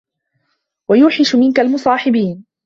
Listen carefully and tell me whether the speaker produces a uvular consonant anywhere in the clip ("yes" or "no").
no